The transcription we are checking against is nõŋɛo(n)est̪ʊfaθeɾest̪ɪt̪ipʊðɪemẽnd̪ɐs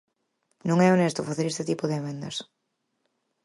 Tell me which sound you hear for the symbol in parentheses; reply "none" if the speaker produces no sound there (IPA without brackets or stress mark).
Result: n